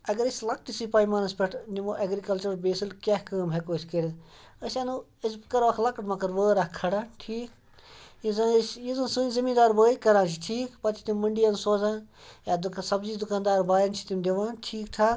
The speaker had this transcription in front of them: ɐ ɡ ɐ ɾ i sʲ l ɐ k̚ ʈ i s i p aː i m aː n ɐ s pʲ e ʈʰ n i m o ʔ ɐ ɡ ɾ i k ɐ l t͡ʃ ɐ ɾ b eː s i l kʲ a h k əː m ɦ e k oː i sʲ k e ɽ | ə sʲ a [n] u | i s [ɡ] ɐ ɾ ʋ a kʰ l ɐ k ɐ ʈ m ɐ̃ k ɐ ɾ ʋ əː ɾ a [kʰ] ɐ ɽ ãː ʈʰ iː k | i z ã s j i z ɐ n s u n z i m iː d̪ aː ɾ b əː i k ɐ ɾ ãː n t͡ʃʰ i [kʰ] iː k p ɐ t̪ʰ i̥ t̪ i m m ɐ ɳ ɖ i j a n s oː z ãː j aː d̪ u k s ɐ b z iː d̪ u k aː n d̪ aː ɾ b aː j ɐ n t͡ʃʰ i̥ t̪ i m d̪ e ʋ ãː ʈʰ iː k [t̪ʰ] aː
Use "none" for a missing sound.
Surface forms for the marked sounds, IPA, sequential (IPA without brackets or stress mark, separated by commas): n, k, kʰ, ʈʰ, t̪ʰ